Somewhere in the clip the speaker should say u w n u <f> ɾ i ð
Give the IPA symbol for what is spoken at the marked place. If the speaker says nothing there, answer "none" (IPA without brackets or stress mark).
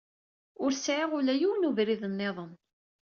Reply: v